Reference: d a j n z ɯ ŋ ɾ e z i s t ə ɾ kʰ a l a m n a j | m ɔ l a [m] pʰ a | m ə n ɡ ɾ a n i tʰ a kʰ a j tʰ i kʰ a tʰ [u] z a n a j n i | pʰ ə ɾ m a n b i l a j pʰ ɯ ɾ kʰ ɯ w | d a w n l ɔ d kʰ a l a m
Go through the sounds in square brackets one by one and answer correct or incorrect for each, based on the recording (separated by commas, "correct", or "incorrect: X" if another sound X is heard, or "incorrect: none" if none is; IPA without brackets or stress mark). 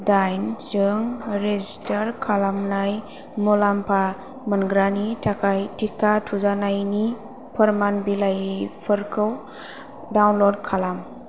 correct, correct